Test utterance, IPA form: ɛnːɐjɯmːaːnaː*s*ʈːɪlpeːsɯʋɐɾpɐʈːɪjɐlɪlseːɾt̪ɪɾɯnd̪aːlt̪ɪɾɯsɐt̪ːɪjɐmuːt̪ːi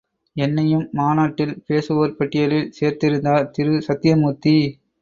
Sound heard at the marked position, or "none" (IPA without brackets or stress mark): none